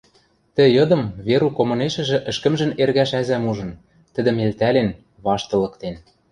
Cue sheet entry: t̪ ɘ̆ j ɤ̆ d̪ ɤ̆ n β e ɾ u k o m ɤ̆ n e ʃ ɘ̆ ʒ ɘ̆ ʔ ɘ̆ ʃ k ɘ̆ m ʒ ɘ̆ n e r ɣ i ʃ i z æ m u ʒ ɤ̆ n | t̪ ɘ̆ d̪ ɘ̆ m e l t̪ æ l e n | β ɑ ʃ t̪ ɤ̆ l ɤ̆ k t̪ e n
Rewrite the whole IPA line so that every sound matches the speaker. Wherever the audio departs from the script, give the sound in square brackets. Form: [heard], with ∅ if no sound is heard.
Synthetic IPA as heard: t̪ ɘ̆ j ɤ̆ d̪ ɤ̆ [m] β e ɾ u k o m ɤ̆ n e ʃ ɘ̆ ʒ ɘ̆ ʔ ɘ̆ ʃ k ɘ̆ m ʒ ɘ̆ n e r ɣ [æ] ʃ [æ] z æ m u ʒ ɤ̆ n | t̪ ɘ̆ d̪ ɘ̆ m e l t̪ æ l e n | β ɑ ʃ t̪ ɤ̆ l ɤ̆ k t̪ e n